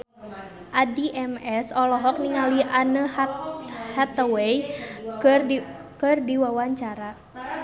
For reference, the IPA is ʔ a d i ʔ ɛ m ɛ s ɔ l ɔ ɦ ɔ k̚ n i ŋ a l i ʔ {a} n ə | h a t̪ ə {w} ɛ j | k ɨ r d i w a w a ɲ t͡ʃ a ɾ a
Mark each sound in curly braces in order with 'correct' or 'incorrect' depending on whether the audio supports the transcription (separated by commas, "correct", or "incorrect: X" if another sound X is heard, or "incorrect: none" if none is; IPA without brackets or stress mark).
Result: correct, correct